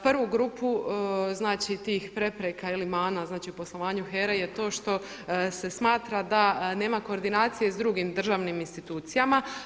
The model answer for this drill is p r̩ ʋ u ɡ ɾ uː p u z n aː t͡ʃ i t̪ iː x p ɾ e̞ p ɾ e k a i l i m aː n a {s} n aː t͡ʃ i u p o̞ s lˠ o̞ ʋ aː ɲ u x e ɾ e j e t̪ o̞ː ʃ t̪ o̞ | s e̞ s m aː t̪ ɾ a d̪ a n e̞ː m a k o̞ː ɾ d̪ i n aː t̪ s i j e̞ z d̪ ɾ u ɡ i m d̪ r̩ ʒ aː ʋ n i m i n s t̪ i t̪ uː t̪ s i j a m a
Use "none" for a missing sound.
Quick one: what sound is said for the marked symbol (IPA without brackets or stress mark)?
z